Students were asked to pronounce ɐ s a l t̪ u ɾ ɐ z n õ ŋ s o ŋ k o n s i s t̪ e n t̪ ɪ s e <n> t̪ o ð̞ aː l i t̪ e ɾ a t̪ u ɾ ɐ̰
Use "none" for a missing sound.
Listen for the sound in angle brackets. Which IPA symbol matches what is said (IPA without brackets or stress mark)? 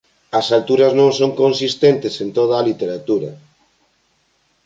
n